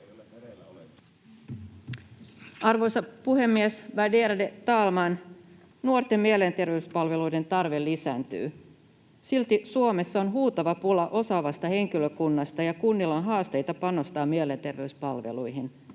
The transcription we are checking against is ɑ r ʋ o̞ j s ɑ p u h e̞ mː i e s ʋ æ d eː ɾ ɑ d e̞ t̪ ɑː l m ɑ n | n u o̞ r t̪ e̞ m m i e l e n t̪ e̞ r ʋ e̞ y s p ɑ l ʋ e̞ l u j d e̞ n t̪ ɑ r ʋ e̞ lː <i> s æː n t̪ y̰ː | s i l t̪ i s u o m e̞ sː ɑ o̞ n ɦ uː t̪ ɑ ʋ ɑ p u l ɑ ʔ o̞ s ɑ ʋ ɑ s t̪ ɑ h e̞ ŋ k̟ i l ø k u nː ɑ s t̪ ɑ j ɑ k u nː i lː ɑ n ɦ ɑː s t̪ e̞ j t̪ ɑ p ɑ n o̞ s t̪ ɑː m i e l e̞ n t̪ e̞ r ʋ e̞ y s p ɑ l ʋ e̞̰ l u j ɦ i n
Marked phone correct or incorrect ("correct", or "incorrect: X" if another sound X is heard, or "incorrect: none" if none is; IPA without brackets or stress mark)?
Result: correct